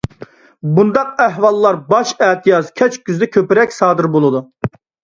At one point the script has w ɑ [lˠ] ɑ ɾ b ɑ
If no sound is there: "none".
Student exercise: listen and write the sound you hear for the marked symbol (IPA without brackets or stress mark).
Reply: lˠː